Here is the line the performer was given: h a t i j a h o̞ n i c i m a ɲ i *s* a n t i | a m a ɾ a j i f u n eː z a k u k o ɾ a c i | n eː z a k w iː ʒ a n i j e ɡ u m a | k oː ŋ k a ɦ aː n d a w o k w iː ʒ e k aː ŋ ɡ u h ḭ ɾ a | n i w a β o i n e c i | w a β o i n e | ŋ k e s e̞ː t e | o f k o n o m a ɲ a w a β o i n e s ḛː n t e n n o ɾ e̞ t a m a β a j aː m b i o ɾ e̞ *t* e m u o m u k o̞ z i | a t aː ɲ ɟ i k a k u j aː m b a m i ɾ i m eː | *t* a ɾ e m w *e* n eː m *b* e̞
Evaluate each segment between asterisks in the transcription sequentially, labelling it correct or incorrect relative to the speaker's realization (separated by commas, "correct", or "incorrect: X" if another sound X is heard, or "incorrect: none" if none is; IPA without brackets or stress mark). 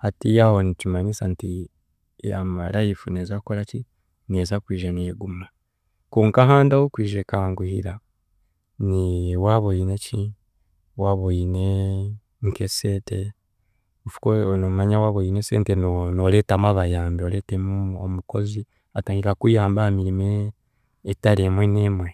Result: correct, correct, correct, correct, incorrect: w